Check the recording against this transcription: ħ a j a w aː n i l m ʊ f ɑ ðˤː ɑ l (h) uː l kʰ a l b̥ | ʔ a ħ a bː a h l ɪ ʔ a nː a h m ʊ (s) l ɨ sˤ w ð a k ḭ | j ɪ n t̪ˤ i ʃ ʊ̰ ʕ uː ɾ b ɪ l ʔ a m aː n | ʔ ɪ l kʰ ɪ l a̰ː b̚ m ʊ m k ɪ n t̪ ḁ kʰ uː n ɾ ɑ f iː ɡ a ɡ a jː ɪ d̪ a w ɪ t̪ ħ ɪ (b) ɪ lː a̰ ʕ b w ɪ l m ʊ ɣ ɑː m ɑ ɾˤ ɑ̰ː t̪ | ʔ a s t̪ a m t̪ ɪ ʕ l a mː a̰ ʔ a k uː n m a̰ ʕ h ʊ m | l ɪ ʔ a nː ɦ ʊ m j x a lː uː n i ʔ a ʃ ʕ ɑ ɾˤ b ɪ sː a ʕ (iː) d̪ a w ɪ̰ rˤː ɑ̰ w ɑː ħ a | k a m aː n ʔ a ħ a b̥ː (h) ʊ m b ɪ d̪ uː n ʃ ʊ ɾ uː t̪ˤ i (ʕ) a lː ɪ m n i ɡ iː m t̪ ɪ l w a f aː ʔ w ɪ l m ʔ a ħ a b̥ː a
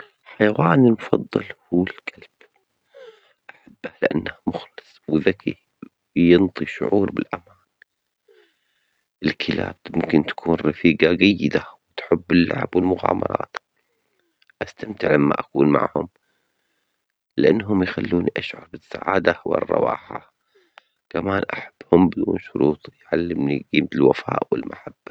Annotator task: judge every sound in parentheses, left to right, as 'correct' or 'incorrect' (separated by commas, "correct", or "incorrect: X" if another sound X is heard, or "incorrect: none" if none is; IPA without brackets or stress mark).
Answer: correct, incorrect: x, incorrect: bː, incorrect: aː, correct, correct